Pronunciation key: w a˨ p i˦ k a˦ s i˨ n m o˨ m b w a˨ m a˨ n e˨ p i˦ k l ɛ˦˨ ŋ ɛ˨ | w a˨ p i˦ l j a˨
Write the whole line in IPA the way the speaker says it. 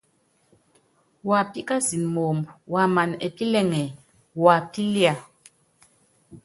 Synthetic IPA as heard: w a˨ p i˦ k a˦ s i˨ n m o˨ m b w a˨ m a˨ n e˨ p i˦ l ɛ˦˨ ŋ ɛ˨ | w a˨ p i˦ l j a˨